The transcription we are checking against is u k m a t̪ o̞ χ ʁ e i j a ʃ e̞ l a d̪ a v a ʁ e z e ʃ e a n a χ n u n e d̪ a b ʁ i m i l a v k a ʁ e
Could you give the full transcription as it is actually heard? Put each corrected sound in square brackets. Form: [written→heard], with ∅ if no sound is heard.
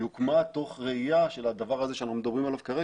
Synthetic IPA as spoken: u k m a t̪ o̞ χ ʁ e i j a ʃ e̞ l a d̪ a v a ʁ [e→a] z e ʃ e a n a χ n u [n→m] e d̪ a b ʁ i m [i→a] l a v k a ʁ e